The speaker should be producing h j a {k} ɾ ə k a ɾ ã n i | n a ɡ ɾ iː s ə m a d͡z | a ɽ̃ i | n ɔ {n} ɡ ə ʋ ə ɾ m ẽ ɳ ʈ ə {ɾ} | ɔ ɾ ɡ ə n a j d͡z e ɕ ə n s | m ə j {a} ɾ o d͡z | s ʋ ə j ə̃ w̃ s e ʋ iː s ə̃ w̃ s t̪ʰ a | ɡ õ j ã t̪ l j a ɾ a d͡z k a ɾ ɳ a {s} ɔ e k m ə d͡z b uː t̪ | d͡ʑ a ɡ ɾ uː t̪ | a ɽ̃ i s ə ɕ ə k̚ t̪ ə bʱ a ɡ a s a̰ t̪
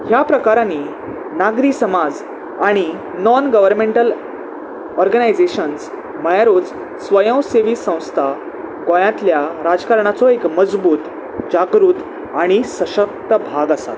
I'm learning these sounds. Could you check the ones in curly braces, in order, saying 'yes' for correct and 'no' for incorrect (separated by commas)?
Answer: no, yes, no, yes, no